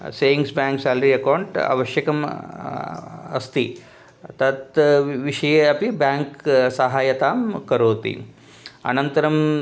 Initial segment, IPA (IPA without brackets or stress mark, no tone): s